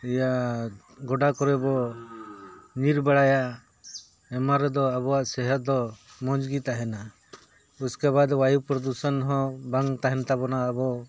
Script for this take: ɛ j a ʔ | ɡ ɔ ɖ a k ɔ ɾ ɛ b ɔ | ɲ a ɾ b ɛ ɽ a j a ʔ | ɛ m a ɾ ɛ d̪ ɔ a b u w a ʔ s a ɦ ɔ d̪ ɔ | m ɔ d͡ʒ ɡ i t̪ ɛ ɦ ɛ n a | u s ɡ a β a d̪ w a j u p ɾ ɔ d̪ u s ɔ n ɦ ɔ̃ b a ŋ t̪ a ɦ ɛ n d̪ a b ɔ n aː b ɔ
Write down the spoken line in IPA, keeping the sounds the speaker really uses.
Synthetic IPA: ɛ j a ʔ | ɡ ɔ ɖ a k ɔ ɾ ɛ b ɔ | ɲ i ɾ b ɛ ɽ a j a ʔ | ɛ m a ɾ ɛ d̪ ɔ a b ɔ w a ʔ s ɛ ɦ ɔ d̪ ɔ | m ɔ d͡ʒ ɡ i t̪ a ɦ ɛ n a | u s k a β a d̪ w a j u p ɾ ɔ d̪ u s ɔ n ɦ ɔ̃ b a ŋ t̪ a ɦ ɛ n t̪ a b ɔ n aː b ɔ